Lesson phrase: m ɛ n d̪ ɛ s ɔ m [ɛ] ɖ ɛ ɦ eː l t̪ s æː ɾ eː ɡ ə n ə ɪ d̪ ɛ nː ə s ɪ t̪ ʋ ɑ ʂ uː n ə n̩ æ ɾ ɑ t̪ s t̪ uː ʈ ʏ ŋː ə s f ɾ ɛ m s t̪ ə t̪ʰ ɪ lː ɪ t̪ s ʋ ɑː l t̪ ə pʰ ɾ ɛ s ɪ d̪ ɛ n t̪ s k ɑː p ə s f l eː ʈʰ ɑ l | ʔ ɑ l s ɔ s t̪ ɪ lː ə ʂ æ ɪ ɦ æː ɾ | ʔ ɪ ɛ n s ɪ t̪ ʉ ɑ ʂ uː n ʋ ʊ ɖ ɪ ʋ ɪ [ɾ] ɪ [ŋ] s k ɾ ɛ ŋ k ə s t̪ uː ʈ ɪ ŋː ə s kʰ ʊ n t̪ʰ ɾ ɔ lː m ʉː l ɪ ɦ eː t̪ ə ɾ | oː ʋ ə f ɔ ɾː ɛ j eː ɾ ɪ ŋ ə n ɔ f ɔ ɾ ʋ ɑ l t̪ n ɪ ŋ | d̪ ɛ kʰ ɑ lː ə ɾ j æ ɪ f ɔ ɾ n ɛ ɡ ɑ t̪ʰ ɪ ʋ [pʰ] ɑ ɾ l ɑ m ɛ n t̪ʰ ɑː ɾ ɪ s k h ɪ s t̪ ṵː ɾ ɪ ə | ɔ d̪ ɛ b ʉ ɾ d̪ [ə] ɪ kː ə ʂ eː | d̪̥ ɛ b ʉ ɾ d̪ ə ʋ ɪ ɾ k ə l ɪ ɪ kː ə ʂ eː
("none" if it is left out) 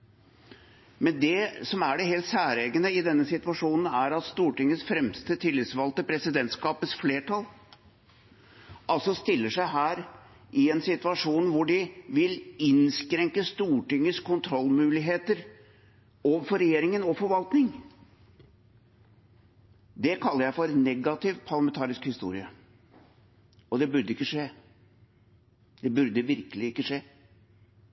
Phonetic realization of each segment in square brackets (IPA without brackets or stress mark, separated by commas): æ, l, n, pʰ, ə